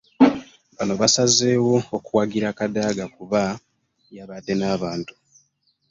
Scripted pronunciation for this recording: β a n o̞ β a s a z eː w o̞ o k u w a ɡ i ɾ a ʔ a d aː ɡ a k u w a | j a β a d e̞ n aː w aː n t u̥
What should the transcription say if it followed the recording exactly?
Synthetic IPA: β a n o̞ β a s a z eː w o̞ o k u w a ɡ i ɾ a k a d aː ɡ a k u β a | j a β a d e̞ n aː β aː n t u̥